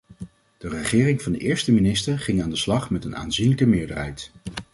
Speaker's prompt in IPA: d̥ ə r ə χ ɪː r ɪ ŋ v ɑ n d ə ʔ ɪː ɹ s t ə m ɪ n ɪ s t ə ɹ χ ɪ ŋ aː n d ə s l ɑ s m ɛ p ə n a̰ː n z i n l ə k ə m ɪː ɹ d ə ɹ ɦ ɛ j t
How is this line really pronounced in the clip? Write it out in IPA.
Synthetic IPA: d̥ ə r ə χ ɪː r ɪ ŋ v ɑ n d ə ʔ ɪː ɹ s t ə m i n ɪ s t ə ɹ χ ɪ ŋ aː n d ə s l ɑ χ m ɛ t ə n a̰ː n z i n l ə k ə m ɪː ɹ d ə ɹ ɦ ɛ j t